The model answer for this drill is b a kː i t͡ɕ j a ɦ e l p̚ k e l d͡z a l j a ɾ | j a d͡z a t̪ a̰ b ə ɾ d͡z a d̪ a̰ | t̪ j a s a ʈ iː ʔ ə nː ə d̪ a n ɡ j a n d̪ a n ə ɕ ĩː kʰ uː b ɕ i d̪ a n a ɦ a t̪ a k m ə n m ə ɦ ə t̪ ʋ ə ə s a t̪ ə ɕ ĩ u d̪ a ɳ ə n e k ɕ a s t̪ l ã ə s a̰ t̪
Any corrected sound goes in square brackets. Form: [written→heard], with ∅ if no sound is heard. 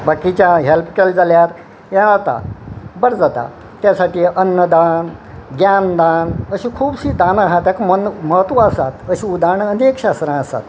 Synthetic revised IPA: b a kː i t͡ɕ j a ɦ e l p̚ k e l d͡z a l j a ɾ | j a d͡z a t̪ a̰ b ə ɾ d͡z a [d̪→t̪] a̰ | t̪ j a s a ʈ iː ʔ ə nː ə d̪ a n ɡ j a n d̪ a n ə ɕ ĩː kʰ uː b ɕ i d̪ a n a ɦ a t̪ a k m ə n m ə ɦ ə t̪ ʋ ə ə s a t̪ ə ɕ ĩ u d̪ a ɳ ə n e k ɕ a s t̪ [l→ɾ] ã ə s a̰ t̪